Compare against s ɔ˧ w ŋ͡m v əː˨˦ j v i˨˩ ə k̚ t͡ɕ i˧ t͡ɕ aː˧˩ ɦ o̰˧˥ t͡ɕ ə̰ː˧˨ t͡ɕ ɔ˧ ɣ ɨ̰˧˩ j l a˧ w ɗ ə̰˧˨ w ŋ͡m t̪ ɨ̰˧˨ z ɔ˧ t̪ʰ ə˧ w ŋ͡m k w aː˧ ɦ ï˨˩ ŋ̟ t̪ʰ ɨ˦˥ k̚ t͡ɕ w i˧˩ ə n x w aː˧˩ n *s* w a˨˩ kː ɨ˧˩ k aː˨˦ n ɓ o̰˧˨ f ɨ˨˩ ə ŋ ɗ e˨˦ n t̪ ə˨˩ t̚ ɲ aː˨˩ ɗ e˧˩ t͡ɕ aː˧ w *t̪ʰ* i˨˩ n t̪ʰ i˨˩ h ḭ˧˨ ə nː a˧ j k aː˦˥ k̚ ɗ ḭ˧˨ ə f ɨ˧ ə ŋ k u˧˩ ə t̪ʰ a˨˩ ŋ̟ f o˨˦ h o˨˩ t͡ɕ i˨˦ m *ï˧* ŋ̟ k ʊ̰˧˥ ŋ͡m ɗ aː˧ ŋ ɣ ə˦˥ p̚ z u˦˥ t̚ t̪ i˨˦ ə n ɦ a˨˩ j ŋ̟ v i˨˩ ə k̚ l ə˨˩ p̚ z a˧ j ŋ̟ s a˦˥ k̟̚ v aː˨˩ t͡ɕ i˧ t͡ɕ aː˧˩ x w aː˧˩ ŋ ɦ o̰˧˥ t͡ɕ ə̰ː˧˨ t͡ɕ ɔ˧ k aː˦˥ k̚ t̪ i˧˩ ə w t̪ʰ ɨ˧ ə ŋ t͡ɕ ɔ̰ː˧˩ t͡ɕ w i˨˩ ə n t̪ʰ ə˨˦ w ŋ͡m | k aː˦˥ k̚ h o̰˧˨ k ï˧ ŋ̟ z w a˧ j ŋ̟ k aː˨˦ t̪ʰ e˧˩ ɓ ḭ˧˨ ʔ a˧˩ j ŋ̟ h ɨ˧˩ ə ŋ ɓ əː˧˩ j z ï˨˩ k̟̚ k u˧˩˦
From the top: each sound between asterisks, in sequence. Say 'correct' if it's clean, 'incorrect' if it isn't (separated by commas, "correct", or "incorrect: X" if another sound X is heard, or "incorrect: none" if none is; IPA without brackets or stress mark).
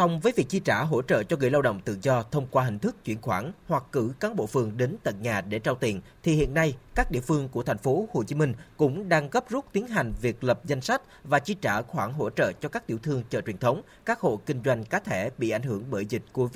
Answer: incorrect: h, incorrect: t̪, correct